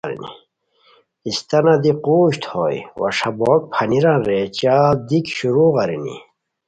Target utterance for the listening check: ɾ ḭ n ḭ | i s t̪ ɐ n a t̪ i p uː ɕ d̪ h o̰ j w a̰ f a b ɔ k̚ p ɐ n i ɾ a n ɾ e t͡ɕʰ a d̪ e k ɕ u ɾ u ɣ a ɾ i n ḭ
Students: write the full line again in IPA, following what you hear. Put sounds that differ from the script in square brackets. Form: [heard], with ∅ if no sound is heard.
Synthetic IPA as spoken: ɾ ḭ n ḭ | i s t̪ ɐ n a [d̪] i [q] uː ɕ [t̪] h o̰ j w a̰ [ʂ] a b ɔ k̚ [pʰ] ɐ n i ɾ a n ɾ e [t͡ɕ] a d̪ [i] k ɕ u ɾ u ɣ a ɾ i n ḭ